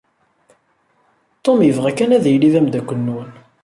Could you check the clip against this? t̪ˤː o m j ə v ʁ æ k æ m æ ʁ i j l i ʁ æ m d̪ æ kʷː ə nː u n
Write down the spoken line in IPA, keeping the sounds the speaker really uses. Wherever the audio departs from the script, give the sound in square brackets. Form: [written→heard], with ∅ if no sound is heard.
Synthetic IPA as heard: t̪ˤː o m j ə v ʁ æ k æ [m→n] æ [ʁ→ð] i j l i [ʁ→ð] æ m d̪ æ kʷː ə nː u n